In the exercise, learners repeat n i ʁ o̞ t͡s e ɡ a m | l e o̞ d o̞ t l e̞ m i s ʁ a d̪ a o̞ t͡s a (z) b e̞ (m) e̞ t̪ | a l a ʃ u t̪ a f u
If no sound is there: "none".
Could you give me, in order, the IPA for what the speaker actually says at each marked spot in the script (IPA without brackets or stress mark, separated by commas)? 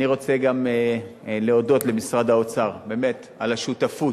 ʁ, m